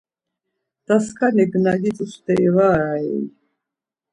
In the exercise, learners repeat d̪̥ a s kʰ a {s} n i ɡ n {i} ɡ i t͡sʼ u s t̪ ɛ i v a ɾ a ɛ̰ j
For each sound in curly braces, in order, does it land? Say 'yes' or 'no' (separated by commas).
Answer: no, no